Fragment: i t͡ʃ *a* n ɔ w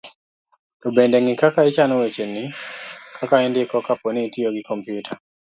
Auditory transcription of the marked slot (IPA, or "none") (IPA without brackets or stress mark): a